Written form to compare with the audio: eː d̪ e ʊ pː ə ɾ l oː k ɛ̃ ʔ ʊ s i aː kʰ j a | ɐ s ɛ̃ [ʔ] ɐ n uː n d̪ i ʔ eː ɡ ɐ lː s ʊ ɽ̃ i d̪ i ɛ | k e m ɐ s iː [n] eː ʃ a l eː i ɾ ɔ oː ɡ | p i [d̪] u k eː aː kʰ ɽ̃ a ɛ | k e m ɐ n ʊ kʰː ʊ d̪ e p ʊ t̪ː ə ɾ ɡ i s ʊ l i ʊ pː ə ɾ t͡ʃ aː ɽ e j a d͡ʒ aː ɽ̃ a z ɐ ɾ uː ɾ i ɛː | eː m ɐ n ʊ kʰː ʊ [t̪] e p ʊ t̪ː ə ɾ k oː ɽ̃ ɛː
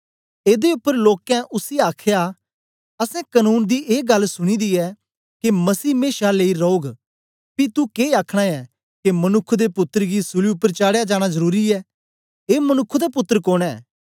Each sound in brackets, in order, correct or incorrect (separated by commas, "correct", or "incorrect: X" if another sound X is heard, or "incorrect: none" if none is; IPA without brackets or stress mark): incorrect: k, incorrect: m, incorrect: t̪, incorrect: d̪